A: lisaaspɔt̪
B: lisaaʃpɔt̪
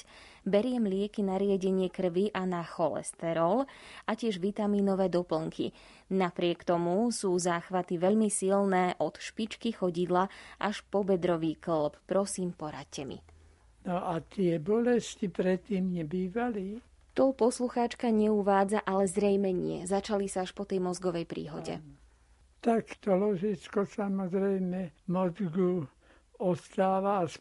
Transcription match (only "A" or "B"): B